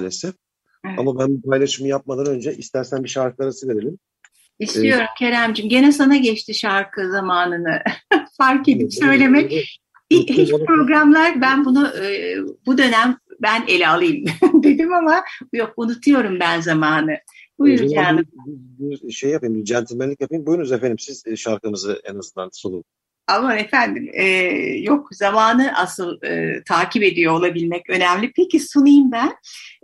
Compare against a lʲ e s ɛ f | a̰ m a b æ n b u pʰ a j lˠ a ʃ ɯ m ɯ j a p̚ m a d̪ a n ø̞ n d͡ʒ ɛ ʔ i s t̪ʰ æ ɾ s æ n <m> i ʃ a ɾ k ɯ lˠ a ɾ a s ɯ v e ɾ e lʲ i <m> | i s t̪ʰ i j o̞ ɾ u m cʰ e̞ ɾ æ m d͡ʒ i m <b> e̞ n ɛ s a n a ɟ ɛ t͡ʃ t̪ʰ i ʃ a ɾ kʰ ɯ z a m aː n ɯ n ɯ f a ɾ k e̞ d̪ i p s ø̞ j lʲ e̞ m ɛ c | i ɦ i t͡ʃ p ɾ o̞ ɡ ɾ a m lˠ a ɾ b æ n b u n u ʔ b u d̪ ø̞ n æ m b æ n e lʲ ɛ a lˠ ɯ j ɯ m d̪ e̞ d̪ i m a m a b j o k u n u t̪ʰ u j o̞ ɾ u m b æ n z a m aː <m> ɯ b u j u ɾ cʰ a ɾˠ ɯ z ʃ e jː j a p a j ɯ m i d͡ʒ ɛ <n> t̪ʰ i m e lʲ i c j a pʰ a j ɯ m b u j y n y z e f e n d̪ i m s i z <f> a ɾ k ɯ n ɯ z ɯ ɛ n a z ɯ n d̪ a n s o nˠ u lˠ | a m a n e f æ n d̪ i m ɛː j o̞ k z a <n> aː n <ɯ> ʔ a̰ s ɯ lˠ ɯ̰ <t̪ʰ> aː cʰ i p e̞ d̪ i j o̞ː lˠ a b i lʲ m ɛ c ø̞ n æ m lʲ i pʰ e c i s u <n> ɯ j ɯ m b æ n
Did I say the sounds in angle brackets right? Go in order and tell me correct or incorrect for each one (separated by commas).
incorrect, correct, incorrect, incorrect, correct, incorrect, incorrect, correct, correct, correct